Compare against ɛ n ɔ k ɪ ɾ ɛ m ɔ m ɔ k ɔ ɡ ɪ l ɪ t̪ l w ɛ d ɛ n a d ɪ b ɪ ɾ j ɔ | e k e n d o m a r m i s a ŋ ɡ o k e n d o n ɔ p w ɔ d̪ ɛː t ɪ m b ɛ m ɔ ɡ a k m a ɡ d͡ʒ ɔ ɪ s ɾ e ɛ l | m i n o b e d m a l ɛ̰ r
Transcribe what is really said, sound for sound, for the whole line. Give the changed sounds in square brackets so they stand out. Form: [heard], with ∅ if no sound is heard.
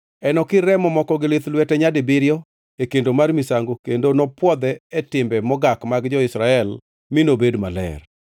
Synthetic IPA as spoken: ɛ n ɔ k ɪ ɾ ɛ m ɔ m ɔ k ɔ ɡ ɪ l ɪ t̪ l w ɛ [t] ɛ [ɲ] a d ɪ b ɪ ɾ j ɔ | e k e n d o m a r m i s a ŋ ɡ o k e n d o n ɔ p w ɔ d̪ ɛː t ɪ m b ɛ m ɔ ɡ a k m a ɡ d͡ʒ ɔ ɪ s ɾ [a] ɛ l | m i n o b e d m a l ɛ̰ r